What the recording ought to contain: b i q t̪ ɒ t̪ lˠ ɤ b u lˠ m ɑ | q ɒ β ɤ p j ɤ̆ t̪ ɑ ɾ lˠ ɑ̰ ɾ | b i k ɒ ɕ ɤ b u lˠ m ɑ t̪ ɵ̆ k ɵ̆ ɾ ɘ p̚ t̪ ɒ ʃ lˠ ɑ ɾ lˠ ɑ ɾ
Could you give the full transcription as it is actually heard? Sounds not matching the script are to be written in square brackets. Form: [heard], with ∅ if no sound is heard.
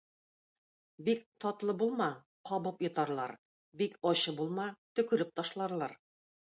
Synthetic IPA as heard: b i [k] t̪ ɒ t̪ lˠ ɤ b u lˠ m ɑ | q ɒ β ɤ p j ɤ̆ t̪ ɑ ɾ lˠ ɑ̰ ɾ | b i k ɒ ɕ ɤ b u lˠ m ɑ t̪ ɵ̆ k ɵ̆ ɾ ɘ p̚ t̪ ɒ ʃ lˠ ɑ ɾ lˠ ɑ ɾ